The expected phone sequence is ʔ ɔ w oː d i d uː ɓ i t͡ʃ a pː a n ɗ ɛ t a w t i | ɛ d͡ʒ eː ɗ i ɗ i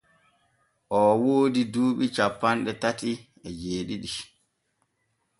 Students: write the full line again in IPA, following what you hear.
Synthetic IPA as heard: ʔ ɔ w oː d i d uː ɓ i t͡ʃ a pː a n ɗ ɛ t a t i | ɛ d͡ʒ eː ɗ i ɗ i